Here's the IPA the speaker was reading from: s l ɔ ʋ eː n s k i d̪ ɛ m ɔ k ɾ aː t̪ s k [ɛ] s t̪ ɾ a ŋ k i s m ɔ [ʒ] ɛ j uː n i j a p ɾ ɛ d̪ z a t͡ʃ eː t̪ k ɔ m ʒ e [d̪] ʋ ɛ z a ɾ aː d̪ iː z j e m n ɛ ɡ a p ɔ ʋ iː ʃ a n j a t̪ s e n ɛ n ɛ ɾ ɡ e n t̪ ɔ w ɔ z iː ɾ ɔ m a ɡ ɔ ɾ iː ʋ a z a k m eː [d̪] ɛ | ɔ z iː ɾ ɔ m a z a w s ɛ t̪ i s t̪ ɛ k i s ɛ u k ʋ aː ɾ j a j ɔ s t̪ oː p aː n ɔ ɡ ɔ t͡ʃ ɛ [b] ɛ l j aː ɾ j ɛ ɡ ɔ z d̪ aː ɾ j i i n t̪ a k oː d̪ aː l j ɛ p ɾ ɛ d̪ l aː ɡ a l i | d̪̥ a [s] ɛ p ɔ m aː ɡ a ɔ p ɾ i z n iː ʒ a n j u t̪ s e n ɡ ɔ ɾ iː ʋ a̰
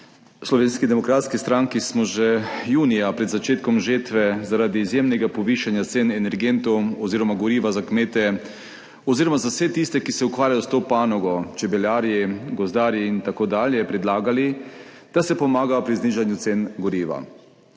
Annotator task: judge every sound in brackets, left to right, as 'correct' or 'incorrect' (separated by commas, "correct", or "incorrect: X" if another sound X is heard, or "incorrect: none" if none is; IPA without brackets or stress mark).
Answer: incorrect: i, correct, incorrect: t̪, incorrect: t̪, correct, correct